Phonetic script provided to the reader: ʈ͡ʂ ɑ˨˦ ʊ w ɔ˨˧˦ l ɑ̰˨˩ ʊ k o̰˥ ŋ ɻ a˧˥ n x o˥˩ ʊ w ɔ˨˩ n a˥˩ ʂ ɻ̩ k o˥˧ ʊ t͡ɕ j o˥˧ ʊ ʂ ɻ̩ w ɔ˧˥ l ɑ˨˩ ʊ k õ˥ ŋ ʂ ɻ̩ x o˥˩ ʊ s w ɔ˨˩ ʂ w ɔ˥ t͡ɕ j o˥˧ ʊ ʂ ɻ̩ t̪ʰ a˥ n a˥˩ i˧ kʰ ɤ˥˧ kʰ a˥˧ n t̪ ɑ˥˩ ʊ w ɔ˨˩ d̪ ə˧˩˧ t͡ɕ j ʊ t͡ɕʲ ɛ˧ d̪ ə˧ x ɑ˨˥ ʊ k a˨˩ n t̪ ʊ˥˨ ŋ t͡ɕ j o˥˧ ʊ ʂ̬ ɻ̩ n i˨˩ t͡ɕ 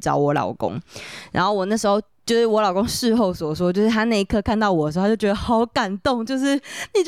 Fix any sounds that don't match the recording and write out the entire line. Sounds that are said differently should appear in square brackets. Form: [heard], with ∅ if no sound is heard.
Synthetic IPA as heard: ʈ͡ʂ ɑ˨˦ ʊ w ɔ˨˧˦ l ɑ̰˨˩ ʊ k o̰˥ ŋ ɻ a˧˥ n x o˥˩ ʊ w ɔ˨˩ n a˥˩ ʂ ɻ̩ [x] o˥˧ ʊ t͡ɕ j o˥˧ ʊ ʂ ɻ̩ w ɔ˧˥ l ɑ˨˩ ʊ k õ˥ ŋ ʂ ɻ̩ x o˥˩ ʊ s w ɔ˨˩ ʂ w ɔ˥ t͡ɕ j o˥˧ ʊ ʂ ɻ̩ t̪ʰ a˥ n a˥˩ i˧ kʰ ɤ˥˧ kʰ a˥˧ n t̪ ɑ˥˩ ʊ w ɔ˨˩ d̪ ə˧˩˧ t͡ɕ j ʊ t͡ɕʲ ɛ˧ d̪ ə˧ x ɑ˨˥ ʊ k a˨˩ n t̪ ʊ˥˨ ŋ t͡ɕ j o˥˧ ʊ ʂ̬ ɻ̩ n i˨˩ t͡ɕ